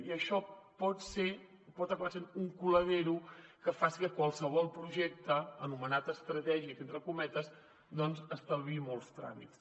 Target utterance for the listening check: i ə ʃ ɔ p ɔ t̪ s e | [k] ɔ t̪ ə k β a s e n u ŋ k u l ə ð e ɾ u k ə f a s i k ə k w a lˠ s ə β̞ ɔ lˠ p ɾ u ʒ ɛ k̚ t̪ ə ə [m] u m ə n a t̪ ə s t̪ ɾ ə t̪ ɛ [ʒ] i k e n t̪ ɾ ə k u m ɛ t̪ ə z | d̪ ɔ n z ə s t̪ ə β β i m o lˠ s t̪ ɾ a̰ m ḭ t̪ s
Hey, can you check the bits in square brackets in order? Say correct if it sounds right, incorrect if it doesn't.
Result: incorrect, incorrect, correct

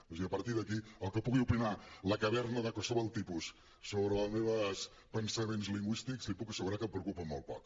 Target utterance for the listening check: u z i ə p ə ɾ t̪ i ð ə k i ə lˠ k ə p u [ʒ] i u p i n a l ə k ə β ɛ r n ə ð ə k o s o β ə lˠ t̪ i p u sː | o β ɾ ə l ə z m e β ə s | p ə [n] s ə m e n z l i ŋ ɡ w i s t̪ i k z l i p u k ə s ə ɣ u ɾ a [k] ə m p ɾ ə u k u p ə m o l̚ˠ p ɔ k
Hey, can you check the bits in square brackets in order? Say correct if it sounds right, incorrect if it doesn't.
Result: incorrect, correct, correct

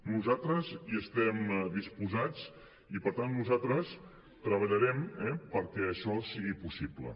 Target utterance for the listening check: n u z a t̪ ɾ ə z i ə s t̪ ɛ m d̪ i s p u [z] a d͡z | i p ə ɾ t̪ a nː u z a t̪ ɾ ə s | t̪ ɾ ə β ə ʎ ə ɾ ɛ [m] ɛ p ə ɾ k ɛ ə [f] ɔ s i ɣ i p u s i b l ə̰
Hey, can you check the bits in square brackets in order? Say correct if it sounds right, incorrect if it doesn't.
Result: correct, correct, incorrect

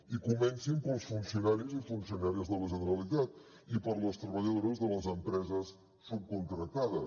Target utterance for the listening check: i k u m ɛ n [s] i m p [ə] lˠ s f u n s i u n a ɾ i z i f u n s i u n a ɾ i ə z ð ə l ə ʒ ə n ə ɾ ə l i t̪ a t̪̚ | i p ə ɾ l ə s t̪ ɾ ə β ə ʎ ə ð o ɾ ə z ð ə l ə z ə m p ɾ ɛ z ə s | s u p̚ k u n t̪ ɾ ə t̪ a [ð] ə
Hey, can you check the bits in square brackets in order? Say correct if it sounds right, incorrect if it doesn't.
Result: correct, correct, correct

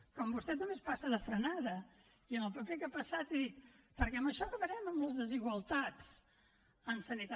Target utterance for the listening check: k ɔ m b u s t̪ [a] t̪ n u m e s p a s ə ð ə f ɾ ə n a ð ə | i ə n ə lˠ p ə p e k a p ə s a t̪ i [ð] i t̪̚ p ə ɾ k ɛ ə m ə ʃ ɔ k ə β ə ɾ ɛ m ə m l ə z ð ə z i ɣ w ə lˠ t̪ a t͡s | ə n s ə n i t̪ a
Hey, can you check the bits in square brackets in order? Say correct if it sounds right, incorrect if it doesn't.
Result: incorrect, correct

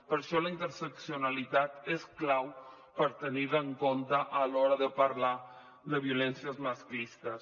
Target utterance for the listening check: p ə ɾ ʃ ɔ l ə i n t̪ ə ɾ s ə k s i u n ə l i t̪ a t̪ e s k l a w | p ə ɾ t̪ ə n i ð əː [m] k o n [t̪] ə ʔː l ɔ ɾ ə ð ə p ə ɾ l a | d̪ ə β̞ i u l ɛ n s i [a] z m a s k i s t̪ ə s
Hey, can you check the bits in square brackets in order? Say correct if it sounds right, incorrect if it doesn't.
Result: incorrect, correct, incorrect

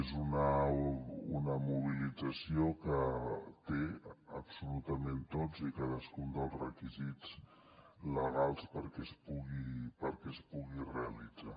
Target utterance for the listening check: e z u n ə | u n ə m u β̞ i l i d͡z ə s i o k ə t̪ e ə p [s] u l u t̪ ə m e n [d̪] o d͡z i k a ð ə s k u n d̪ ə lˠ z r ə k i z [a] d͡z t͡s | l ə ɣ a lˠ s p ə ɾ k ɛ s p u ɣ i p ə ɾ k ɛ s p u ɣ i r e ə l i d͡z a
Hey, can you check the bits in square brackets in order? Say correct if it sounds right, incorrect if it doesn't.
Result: correct, incorrect, incorrect

